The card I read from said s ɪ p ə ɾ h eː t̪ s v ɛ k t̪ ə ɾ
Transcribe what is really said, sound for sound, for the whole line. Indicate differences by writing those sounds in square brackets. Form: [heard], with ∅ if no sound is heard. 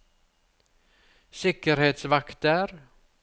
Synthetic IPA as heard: s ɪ [k] ə ɾ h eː t̪ s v [a] k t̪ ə ɾ

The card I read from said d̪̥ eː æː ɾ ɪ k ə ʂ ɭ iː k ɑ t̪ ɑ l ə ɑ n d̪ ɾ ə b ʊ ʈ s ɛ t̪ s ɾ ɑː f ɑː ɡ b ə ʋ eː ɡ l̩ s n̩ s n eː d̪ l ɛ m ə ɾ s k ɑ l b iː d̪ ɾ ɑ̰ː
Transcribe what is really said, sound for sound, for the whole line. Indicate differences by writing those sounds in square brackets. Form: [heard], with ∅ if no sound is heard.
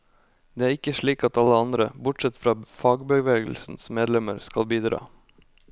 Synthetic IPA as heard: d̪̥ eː æː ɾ ɪ k ə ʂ ɭ iː k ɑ t̪ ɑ l ə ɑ n d̪ ɾ ə b ʊ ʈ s ɛ t̪ [f] ɾ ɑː f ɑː ɡ b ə ʋ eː ɡ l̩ s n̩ s [m] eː d̪ l ɛ m ə ɾ s k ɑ l b iː d̪ ɾ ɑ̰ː

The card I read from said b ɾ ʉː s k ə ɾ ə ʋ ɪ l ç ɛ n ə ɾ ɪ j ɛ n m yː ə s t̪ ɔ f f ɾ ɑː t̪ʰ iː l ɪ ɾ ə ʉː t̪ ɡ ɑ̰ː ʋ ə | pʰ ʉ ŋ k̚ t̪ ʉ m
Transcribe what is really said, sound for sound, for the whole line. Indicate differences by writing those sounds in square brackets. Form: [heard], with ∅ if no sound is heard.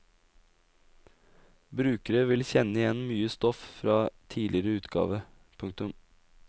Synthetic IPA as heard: b ɾ ʉː [∅] k ə ɾ ə ʋ ɪ l ç ɛ n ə [∅] ɪ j ɛ n m yː ə s t̪ ɔ f f ɾ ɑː t̪ʰ iː l ɪ ɾ ə ʉː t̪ ɡ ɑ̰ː ʋ ə | pʰ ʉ ŋ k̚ t̪ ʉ m

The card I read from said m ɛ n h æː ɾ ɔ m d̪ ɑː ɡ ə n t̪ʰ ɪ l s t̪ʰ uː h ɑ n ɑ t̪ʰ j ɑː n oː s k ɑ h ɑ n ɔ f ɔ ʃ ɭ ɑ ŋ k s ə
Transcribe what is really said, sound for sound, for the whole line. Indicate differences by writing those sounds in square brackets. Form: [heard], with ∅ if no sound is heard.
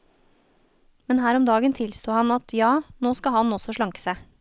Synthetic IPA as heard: m ɛ n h æː ɾ ɔ m d̪ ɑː ɡ ə n t̪ʰ ɪ l s [t̪] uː h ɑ n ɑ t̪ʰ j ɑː n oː s k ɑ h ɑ n ɔ [s] ɔ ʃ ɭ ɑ ŋ k s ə

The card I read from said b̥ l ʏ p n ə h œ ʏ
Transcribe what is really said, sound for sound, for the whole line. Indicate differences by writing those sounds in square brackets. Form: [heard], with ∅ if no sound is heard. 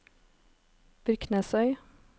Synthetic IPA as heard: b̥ [ɾ] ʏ [k] n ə [s] œ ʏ

